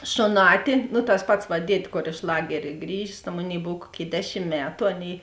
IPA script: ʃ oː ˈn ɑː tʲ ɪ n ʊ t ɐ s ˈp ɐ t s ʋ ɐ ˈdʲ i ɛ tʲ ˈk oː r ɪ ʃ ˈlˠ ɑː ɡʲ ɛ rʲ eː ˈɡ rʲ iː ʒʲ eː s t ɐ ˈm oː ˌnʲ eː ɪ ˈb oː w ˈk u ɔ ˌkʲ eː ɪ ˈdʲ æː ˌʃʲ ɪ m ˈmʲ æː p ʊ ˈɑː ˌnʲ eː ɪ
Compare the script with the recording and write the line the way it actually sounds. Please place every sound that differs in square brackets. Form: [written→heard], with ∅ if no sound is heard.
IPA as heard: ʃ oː ˈn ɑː tʲ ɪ n ʊ t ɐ s ˈp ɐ t s ʋ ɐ ˈdʲ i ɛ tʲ ˈk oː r ɪ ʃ ˈlˠ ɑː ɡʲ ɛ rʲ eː ˈɡ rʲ iː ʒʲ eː s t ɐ ˈm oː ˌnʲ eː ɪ ˈb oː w ˈk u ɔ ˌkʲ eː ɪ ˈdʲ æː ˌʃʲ ɪ m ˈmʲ æː [p→t] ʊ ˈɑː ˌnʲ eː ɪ